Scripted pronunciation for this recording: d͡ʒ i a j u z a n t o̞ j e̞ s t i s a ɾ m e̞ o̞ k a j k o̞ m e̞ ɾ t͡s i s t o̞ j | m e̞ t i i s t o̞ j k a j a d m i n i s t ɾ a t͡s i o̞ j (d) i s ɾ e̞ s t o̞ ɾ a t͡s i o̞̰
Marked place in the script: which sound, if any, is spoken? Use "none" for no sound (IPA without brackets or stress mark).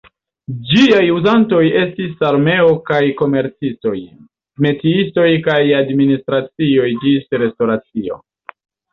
d͡ʒ